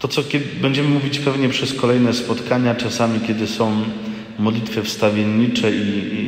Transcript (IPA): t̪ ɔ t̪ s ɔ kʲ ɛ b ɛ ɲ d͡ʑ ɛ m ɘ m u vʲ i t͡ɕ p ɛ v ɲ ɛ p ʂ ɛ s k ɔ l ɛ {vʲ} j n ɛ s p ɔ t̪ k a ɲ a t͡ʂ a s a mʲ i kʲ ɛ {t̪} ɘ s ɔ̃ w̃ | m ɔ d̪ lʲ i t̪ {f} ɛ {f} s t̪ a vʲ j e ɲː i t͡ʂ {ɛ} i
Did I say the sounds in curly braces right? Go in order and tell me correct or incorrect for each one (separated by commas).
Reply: incorrect, incorrect, correct, correct, correct